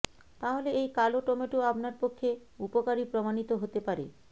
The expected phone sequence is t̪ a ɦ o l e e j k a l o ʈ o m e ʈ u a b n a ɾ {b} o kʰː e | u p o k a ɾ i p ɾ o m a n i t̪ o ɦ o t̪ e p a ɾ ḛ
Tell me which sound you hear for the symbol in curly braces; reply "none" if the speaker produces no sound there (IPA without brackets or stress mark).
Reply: p